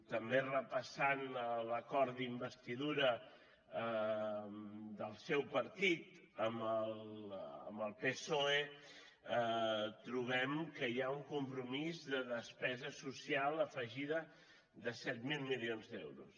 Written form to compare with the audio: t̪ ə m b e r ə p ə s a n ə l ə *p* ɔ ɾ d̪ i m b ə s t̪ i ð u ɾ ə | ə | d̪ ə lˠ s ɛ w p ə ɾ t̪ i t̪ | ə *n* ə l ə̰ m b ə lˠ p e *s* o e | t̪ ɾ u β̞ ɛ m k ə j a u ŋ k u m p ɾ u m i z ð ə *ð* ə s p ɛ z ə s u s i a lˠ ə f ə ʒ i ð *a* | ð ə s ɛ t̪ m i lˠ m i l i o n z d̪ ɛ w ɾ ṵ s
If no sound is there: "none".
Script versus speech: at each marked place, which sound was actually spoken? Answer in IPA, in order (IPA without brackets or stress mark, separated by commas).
k, m, s, ð, ə